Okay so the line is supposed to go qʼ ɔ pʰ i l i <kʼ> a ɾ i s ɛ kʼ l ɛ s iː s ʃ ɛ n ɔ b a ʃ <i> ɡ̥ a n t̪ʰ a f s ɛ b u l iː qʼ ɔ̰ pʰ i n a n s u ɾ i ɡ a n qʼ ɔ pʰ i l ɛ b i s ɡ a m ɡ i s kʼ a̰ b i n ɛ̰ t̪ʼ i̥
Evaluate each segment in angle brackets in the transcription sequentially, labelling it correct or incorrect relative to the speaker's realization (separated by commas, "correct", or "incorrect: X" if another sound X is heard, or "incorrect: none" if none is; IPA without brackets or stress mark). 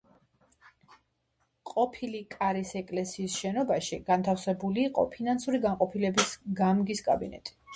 correct, correct